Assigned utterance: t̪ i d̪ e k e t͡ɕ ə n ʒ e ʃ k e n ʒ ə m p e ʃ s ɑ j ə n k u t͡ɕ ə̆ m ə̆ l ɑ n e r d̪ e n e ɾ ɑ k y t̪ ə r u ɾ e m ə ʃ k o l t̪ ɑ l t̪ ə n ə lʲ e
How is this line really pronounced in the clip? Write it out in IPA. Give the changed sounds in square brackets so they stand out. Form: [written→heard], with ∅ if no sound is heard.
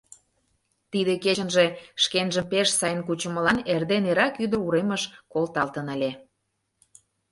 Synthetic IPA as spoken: t̪ i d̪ e k e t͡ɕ ə n ʒ e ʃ k e n ʒ ə m p e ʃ s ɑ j ə n k u t͡ɕ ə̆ m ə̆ l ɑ n e r d̪ e n e ɾ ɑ k y [t̪→d̪] ə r u ɾ e m ə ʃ k o l t̪ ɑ l t̪ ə n ə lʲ e

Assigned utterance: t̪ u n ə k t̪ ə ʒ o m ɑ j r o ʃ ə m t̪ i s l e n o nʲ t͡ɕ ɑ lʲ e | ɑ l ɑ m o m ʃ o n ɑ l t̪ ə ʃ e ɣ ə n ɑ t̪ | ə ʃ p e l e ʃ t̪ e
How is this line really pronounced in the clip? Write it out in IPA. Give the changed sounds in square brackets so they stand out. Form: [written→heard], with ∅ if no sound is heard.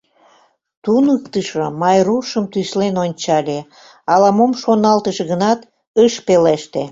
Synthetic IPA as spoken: t̪ u n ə k t̪ ə [ʒ→ʃ] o m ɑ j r [o→u] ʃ ə m t̪ [i→y] s l e n o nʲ t͡ɕ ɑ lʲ e | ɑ l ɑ m o m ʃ o n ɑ l t̪ ə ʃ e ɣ ə n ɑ t̪ | ə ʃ p e l e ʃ t̪ e

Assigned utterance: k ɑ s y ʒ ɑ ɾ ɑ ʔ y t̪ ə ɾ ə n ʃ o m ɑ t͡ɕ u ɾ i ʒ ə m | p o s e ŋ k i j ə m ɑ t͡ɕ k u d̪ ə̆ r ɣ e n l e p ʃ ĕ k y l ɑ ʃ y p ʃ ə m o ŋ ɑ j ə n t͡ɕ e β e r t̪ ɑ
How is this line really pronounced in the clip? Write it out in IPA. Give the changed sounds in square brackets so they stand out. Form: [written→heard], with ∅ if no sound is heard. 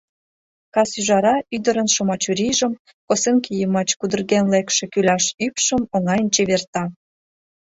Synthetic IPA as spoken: k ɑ s y ʒ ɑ ɾ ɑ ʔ y [t̪→d̪] ə ɾ ə n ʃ o m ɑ t͡ɕ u ɾ i ʒ ə m | [p→k] o s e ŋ k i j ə m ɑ t͡ɕ k u d̪ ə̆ r ɣ e n l e [p→k] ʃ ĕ k y l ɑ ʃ y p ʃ ə m o ŋ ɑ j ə n t͡ɕ e β e r t̪ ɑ

